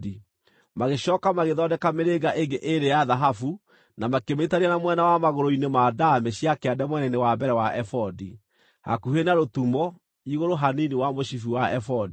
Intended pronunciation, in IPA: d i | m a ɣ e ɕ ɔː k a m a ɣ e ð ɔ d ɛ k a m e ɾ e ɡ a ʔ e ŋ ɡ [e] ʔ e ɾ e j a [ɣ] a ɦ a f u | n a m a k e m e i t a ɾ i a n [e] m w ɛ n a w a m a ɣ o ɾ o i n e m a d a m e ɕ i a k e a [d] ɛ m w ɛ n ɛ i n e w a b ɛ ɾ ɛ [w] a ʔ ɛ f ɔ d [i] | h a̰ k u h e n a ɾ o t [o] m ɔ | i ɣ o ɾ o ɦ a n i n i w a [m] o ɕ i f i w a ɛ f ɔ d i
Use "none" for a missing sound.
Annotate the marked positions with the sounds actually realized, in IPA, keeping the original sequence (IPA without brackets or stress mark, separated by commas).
e, ð, a, d, w, i, u, m